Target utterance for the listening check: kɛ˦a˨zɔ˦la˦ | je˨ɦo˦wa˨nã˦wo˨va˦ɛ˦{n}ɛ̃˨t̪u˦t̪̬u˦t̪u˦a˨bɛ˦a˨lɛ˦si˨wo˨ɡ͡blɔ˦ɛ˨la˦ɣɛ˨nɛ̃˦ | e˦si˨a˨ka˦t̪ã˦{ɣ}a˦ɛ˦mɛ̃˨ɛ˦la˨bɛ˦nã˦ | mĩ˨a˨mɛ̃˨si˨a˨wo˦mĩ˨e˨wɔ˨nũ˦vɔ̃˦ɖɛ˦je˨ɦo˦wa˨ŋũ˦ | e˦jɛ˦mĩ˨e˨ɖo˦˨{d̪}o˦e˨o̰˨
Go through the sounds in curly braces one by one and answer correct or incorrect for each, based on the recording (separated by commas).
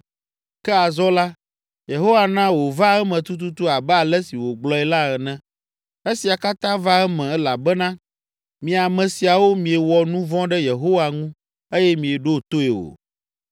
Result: incorrect, incorrect, incorrect